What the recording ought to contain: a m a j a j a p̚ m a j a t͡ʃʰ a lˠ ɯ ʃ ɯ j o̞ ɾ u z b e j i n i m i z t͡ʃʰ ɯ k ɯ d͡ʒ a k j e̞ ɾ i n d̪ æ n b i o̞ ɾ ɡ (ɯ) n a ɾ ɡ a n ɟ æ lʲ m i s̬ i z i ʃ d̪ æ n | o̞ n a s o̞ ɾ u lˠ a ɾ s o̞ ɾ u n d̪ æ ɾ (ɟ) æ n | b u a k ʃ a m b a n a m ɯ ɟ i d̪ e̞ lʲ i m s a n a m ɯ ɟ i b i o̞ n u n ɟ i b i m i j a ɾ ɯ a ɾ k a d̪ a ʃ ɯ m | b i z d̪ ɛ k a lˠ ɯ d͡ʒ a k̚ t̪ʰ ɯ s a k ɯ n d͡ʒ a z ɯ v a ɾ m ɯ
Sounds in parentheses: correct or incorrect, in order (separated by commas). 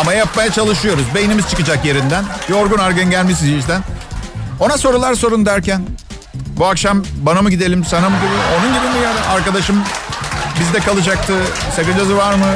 incorrect, incorrect